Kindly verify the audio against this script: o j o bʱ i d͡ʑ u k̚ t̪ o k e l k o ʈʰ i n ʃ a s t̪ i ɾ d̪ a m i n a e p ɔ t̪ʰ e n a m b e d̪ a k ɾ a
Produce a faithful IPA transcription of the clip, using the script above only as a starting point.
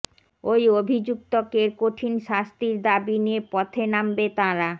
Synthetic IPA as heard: o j o bʱ i d͡ʑ u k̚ t̪ o k e ɾ k o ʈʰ i n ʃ a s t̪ i ɾ d̪ a b i n i e p ɔ t̪ʰ e n a m b e t̪ a ɾ a